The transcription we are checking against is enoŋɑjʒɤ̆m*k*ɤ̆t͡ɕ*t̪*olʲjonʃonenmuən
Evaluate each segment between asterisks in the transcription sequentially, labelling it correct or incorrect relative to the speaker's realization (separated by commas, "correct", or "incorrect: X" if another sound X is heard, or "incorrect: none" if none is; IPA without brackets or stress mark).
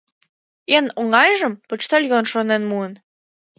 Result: incorrect: p, correct